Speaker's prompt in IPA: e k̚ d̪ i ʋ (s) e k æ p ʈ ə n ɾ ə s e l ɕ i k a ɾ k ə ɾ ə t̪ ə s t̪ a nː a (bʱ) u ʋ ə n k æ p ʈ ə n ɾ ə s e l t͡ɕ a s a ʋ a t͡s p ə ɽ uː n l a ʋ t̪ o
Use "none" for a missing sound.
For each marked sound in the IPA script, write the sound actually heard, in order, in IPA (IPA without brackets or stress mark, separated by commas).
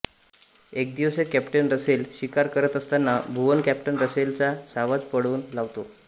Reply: s, bʱ